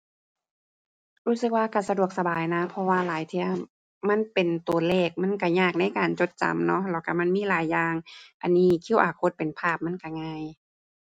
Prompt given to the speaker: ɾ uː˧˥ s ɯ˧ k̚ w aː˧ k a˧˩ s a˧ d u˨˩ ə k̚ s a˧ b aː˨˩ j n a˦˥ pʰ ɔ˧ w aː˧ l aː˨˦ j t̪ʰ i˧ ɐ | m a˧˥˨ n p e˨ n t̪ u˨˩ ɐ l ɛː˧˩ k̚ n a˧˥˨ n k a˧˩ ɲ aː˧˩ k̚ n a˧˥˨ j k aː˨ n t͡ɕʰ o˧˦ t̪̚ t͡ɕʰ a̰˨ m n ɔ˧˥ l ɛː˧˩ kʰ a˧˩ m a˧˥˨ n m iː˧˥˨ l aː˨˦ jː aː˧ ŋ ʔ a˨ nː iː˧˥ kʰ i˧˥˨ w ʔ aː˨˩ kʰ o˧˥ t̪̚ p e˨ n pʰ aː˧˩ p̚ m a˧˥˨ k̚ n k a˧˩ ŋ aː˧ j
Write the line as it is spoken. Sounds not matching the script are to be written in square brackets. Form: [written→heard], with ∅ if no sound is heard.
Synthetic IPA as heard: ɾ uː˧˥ s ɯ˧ k̚ w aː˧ k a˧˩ s a˧ d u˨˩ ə k̚ s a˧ b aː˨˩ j n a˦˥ pʰ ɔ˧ w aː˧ l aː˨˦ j t̪ʰ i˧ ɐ | m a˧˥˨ n p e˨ n t̪ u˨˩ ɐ l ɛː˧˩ k̚ [n→m] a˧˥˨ n k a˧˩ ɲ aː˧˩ k̚ n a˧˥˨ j k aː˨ n [t͡ɕʰ→t͡ɕ] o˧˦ t̪̚ [t͡ɕʰ→t͡ɕ] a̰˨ m n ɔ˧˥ l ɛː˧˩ [kʰ→k] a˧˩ m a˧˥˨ n m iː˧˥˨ l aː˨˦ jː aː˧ ŋ ʔ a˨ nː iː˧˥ kʰ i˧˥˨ w ʔ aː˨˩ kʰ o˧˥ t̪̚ p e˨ n pʰ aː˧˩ p̚ m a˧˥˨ [k̚→∅] n k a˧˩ ŋ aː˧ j